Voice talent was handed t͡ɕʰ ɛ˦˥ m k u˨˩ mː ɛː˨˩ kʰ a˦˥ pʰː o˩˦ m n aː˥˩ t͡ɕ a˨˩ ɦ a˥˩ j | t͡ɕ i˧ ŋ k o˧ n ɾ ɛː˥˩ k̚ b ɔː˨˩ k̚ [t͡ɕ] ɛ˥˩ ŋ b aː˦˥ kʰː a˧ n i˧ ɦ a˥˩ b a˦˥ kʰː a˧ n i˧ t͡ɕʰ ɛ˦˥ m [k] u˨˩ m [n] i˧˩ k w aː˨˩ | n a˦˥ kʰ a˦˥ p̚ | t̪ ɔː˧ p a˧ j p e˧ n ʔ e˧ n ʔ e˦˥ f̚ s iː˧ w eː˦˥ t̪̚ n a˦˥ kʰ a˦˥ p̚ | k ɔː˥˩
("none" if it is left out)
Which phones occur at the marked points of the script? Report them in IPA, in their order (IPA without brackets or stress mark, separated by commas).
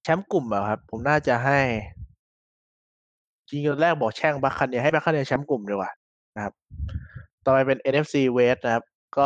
t͡ɕʰ, k, d